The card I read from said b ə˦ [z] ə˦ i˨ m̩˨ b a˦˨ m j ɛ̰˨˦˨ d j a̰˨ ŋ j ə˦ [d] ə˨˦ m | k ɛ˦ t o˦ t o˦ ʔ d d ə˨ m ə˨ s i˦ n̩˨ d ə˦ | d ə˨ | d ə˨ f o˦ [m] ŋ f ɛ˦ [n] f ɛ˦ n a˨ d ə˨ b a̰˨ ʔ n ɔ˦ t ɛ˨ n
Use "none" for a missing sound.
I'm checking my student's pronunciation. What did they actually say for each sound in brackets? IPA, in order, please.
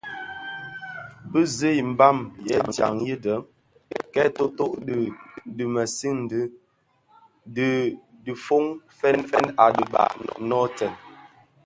z, d, none, n

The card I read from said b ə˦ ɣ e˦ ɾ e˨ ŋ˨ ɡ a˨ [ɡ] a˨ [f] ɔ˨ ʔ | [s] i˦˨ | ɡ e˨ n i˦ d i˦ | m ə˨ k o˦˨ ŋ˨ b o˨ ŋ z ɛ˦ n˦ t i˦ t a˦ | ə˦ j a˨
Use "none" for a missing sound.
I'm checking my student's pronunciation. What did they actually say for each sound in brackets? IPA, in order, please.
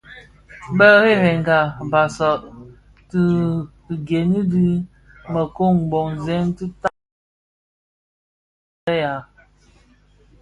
b, s, t

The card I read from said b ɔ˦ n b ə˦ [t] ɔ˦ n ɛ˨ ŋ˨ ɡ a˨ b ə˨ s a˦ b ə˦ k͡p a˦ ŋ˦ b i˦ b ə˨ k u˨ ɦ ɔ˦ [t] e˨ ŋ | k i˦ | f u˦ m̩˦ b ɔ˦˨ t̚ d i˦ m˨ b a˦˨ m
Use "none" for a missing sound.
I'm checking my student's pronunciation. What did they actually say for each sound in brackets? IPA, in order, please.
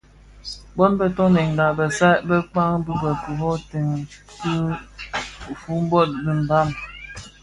t, t

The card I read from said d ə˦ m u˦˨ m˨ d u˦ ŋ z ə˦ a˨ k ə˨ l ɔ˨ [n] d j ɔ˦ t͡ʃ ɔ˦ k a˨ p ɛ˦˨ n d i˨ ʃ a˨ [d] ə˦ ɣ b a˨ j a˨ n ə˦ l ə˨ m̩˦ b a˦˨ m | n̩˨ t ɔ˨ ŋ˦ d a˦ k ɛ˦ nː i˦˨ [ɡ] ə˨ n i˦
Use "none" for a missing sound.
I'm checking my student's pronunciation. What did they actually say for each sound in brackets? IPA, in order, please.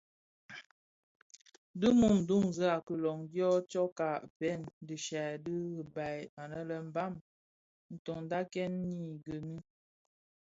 ŋ, d, ɡ

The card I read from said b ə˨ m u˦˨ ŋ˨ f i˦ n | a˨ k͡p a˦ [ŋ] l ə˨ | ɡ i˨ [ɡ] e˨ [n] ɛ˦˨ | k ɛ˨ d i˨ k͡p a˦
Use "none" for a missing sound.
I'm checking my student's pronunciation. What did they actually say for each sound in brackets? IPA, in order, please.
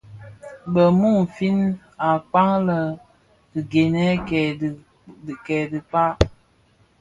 ŋ, ɡ, n

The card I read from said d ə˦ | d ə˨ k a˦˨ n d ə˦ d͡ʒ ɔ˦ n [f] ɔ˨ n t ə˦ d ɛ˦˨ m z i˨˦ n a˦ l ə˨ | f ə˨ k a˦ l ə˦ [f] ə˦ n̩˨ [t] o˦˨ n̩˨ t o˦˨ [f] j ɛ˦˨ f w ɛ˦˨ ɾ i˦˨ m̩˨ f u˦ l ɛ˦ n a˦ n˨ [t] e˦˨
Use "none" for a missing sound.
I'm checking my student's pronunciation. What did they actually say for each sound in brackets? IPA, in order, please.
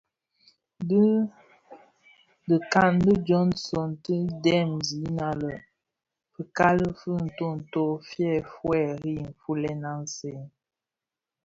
s, f, t, f, s

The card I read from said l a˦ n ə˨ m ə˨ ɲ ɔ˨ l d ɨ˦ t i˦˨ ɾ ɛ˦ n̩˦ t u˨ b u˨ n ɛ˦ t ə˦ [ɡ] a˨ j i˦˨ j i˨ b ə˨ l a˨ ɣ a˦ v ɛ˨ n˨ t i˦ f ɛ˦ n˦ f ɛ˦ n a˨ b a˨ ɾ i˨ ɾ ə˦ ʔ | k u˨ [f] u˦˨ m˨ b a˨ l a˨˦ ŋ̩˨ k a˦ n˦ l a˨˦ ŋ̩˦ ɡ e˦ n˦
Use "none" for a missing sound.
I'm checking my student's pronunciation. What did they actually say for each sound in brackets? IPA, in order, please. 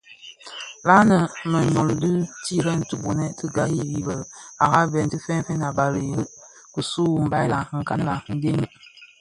ɡ, s

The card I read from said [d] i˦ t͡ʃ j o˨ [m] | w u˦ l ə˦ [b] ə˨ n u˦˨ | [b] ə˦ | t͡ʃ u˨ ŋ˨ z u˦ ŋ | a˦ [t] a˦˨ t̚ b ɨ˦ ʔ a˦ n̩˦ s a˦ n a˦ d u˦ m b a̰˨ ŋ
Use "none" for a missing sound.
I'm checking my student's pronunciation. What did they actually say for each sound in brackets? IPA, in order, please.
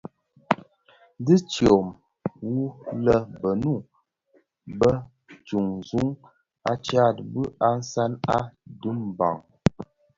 d, m, b, b, t͡ʃ

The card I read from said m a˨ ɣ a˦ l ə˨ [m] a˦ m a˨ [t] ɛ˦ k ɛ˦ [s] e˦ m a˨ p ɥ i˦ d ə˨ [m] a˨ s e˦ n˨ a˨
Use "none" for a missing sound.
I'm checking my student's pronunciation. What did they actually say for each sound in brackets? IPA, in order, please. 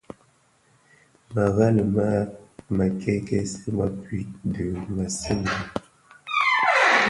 m, k, s, m

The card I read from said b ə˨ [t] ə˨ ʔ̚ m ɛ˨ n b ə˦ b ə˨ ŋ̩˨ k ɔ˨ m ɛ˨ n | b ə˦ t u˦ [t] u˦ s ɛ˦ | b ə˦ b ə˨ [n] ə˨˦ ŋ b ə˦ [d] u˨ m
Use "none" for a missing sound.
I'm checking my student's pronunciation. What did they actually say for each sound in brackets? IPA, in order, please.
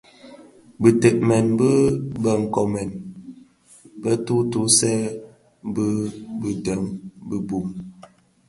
t, t, d, b

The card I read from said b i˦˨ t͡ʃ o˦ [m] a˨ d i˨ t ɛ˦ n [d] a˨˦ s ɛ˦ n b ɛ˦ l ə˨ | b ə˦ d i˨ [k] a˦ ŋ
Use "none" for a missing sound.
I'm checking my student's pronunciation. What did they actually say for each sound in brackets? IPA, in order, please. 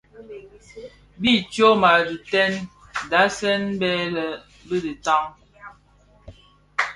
m, d, t

